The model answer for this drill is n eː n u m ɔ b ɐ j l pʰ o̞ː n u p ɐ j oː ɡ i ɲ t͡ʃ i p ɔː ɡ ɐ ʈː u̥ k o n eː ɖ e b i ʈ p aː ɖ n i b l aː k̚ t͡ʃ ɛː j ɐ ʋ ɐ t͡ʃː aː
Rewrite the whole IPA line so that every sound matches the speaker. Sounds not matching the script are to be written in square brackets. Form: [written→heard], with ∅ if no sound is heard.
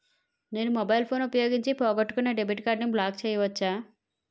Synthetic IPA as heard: n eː n u m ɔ b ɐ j l pʰ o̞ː n u p ɐ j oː ɡ i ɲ t͡ʃ i p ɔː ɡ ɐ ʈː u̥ k [o→u] n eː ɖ e b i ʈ [p→k] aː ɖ n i b l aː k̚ t͡ʃ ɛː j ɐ ʋ ɐ t͡ʃː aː